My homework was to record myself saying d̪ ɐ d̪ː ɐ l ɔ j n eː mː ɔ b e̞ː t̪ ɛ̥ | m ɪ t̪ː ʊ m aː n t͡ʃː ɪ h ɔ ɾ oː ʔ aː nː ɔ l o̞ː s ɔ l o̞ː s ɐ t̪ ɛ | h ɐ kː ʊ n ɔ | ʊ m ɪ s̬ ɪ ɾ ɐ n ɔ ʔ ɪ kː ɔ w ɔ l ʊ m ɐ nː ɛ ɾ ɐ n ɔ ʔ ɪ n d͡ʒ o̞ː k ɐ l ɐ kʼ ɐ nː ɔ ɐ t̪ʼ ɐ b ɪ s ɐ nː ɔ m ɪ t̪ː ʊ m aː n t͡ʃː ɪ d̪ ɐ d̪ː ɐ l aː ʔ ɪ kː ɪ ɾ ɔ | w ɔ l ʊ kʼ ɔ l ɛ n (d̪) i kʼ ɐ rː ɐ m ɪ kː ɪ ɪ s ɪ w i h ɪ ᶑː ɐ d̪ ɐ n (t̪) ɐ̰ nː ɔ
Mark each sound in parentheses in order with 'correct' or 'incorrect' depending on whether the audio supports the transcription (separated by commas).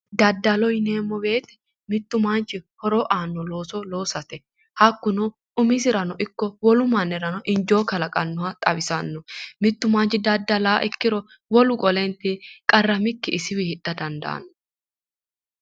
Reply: incorrect, incorrect